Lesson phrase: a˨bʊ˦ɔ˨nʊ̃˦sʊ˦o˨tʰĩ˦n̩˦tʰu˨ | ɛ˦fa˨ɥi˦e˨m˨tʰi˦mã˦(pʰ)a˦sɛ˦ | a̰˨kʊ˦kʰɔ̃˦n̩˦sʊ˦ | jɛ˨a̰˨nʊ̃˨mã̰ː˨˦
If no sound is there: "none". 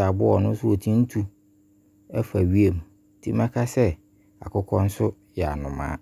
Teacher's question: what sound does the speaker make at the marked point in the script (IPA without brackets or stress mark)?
kʰ